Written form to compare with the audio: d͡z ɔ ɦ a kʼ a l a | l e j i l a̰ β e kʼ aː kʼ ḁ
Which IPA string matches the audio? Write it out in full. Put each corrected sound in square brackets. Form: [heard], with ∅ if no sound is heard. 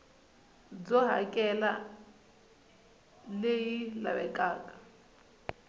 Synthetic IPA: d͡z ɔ ɦ a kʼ [ɛ] l a | l e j i l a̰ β [ɛ] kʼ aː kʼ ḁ